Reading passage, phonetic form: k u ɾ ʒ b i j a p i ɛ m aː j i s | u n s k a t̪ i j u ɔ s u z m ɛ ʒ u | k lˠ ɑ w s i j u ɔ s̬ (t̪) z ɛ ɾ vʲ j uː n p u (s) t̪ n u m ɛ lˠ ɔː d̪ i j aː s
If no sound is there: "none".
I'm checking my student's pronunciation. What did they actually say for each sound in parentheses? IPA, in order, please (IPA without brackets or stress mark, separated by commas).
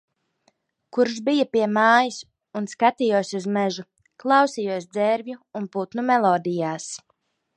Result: d̪, none